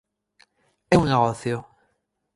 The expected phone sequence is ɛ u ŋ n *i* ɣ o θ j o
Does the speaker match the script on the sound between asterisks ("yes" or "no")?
no